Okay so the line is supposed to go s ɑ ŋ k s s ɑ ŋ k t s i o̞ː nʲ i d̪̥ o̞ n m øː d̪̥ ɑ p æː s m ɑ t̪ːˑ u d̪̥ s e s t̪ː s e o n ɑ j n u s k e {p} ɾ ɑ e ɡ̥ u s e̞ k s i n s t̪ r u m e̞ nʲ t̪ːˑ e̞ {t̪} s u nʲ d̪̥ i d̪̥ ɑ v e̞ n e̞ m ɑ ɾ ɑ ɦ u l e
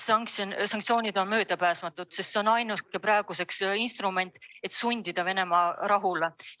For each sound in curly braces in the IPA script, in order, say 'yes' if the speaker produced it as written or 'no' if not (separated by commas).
yes, yes